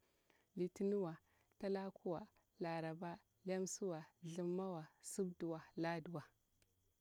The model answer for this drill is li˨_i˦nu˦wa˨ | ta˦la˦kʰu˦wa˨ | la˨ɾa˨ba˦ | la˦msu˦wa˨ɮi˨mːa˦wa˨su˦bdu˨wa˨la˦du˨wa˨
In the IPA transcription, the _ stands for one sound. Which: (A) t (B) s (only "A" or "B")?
A